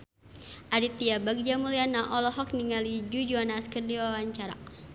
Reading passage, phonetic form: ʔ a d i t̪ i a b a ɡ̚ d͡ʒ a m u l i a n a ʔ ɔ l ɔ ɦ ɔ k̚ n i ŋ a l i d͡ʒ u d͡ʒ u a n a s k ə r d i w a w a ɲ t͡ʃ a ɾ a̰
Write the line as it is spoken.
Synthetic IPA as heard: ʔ a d i t̪ i a b a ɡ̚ d͡ʒ a m u l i a n a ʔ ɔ l ɔ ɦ ɔ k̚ n i ŋ a l i d͡ʒ u d͡ʒ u a n a s k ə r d i w a w a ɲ t͡ʃ a ɾ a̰